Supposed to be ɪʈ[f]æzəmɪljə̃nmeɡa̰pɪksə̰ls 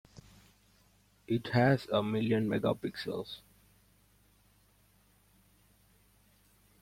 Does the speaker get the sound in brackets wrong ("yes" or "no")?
yes